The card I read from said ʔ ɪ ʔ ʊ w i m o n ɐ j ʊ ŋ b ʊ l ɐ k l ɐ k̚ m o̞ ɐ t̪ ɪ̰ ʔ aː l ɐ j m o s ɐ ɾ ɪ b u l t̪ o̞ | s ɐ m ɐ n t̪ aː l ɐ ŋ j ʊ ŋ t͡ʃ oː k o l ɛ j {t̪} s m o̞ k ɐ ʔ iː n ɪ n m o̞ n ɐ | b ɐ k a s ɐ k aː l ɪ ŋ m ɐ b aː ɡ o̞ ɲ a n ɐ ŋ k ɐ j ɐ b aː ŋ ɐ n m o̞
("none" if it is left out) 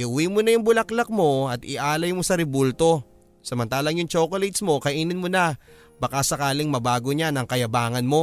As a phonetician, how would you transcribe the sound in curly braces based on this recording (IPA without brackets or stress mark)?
t̪